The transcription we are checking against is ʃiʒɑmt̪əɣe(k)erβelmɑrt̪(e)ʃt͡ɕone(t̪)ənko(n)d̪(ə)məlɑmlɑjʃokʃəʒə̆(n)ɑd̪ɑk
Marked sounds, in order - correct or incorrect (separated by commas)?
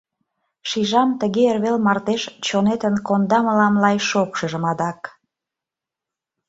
incorrect, correct, correct, correct, incorrect, incorrect